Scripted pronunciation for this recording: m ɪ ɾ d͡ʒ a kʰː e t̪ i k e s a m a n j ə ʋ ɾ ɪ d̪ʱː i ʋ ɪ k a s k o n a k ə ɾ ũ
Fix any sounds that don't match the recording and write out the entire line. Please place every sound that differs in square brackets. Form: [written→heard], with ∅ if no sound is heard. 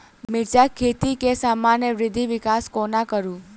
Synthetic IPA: m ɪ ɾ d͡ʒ a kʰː e t̪ i k e s a m a n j ə ʋ ɾ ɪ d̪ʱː i ʋ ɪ k a s k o n a k ə ɾ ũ